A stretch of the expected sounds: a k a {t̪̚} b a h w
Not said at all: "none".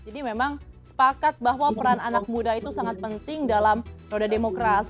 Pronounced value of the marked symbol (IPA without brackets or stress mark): t̪̚